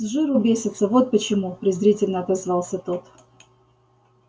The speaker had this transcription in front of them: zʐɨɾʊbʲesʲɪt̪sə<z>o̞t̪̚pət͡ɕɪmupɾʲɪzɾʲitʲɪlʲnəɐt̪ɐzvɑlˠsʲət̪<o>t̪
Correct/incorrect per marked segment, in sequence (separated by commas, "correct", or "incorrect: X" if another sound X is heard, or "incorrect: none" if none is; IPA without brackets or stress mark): incorrect: v, correct